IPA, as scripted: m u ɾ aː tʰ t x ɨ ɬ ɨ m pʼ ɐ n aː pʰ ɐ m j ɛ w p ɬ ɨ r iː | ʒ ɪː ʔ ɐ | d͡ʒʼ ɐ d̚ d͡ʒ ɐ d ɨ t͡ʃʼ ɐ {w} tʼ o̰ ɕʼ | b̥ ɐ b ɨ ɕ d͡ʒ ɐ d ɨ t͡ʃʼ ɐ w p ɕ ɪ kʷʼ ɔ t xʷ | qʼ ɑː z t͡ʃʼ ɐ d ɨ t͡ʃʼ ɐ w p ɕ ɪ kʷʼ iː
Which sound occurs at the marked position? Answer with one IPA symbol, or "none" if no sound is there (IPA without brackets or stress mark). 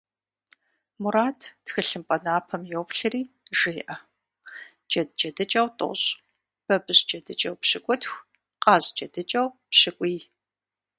w